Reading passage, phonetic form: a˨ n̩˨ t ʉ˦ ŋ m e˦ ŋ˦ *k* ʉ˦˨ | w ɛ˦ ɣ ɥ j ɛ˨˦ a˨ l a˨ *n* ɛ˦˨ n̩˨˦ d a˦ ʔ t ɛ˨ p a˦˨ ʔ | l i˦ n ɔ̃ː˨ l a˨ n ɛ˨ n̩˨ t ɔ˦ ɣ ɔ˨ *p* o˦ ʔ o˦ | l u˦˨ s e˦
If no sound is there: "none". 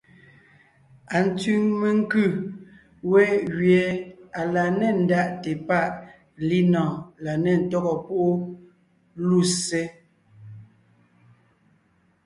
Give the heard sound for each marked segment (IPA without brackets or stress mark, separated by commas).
k, n, p